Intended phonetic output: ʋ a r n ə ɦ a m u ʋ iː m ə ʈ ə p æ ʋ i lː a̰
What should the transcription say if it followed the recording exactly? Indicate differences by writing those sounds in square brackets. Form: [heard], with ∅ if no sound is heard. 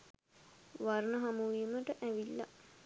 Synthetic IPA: ʋ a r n ə ɦ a m u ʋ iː m ə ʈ ə [ʔ] æ ʋ i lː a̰